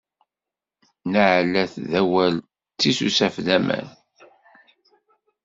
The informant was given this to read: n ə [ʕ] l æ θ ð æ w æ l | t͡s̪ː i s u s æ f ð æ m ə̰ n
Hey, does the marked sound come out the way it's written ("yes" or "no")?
yes